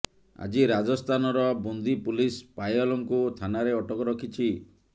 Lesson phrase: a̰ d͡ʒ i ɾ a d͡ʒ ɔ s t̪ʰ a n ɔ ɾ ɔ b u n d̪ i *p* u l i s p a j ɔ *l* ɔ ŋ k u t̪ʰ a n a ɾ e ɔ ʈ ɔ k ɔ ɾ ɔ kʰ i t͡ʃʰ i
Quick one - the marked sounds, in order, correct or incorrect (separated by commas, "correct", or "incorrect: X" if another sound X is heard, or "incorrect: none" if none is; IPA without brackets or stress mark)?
correct, correct